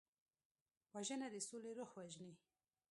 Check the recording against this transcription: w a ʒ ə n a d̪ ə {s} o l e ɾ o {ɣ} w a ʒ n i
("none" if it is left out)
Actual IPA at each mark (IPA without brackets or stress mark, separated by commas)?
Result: s, x